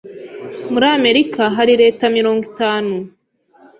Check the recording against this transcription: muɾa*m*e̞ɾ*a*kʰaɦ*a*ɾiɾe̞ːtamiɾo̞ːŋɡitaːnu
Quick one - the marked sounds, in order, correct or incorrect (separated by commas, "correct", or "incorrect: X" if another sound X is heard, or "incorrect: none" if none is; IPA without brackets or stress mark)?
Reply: correct, incorrect: i, correct